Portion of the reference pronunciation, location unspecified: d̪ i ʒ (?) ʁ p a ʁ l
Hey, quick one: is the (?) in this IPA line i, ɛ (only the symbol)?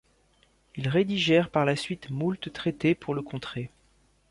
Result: ɛ